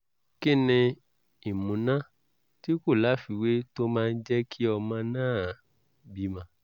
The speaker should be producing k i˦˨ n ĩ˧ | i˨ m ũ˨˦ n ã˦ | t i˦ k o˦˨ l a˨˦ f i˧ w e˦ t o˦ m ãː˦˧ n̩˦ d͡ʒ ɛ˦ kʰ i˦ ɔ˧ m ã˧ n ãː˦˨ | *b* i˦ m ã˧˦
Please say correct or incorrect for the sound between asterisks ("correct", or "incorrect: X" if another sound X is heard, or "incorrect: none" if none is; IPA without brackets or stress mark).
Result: correct